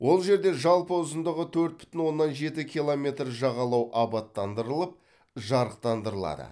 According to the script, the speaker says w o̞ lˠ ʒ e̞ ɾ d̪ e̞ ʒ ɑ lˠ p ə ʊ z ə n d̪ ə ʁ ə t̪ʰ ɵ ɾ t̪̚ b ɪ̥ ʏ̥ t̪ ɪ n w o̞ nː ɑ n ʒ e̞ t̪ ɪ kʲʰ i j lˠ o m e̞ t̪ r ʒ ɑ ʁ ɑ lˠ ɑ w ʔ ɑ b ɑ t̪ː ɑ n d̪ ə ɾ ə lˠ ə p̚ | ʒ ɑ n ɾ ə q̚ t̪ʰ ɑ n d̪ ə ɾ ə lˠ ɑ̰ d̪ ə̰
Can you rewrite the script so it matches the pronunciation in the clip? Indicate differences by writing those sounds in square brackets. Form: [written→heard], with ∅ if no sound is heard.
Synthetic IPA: w o̞ lˠ ʒ e̞ ɾ d̪ e̞ ʒ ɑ lˠ p ə ʊ z ə n d̪ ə ʁ ə t̪ʰ ɵ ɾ t̪̚ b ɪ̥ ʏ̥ t̪ ɪ n w o̞ nː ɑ n ʒ e̞ t̪ ɪ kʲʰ i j lˠ o m e̞ t̪ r ʒ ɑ ʁ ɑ lˠ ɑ w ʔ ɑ b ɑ t̪ː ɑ n d̪ ə ɾ ə lˠ ə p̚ | ʒ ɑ [n→∅] ɾ ə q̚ [t̪ʰ→t̪] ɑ n d̪ ə ɾ ə lˠ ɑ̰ d̪ ə̰